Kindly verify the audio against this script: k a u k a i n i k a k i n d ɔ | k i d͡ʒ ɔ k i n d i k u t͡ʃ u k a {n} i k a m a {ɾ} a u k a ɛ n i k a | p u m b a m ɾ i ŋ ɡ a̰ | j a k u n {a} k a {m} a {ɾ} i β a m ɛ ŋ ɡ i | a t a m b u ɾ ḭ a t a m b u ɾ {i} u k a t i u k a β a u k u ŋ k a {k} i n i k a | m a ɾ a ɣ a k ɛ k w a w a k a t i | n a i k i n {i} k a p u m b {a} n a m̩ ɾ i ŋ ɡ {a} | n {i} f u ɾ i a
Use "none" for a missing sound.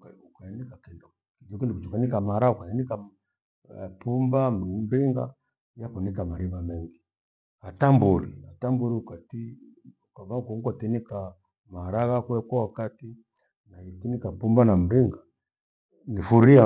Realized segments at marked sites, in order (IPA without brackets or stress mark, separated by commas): n, ɾ, i, m, ɾ, i, t, i, a, a, i